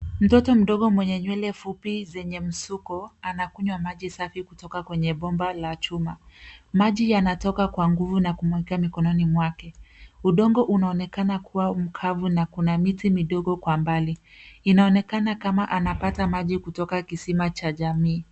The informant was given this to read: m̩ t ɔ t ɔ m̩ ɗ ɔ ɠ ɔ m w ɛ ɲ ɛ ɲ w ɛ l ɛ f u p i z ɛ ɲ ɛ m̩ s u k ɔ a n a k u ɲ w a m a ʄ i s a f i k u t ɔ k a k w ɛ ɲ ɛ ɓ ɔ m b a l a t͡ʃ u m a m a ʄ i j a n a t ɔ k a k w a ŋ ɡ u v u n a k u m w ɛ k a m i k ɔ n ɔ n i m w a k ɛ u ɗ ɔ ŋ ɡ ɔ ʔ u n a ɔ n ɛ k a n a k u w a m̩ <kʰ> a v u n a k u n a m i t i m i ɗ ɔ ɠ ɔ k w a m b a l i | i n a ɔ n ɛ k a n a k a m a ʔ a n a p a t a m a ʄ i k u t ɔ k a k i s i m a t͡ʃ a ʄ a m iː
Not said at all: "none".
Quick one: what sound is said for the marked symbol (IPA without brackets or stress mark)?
kʰ